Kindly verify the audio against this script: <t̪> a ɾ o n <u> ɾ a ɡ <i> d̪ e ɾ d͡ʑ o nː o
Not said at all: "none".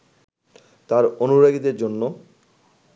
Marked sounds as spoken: t̪, u, i

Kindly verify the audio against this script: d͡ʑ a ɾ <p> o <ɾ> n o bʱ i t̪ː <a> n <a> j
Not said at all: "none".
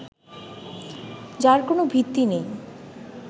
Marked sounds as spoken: k, none, i, e

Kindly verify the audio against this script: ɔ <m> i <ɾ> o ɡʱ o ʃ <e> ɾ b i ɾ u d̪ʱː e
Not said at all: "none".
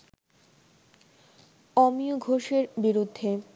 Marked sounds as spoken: m, none, e

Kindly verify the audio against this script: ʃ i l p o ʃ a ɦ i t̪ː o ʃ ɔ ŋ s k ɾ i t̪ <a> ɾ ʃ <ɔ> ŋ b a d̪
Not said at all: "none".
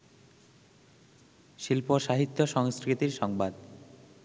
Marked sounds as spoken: i, ɔ

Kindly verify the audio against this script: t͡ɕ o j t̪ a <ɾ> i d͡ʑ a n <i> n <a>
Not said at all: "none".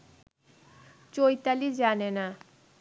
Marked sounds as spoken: l, e, a

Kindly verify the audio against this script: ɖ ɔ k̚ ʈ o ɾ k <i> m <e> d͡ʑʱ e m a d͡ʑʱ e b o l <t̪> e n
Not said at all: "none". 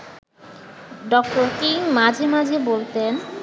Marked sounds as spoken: i, a, t̪

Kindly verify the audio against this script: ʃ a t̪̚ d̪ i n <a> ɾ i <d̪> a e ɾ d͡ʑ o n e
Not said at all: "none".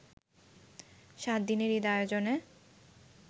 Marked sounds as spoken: e, d̪

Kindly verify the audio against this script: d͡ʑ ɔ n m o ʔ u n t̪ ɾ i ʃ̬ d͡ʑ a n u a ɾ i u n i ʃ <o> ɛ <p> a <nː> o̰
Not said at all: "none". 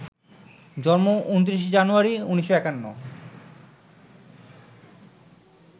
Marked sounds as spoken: o, k, nː

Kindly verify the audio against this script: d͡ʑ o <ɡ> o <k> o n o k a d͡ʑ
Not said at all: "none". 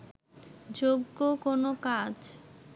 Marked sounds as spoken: ɡː, k

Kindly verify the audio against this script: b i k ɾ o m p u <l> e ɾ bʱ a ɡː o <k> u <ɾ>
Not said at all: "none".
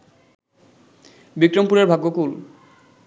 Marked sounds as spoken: ɾ, k, l

